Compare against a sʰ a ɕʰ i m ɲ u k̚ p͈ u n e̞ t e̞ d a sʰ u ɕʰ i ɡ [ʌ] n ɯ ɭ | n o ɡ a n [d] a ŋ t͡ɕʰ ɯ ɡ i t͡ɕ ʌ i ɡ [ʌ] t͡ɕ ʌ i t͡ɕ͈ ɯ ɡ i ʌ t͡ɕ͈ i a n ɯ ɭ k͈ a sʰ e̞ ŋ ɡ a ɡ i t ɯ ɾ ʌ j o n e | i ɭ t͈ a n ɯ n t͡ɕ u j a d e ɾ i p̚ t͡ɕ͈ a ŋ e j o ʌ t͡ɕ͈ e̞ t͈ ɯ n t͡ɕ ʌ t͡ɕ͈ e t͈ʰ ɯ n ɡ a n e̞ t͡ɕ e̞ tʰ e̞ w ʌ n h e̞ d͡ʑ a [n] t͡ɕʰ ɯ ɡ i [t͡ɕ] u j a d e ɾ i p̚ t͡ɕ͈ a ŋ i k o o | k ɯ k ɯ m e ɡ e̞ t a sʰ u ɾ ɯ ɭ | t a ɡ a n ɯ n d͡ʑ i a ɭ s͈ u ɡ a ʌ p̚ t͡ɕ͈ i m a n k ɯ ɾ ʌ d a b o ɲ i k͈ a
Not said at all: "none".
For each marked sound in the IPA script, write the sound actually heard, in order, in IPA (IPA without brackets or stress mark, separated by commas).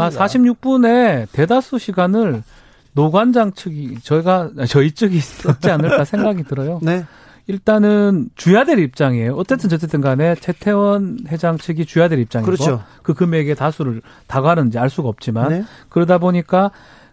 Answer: a, d͡ʑ, a, ŋ, t͡ɕ